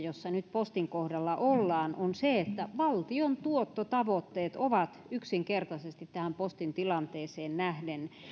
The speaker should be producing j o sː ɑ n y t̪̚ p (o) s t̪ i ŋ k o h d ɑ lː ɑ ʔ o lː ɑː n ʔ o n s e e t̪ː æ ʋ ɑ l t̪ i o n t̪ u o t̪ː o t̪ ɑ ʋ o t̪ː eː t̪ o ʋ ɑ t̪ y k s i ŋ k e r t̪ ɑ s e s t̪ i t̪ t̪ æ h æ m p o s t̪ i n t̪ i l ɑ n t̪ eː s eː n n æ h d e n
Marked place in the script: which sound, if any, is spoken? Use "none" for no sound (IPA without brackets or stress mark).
o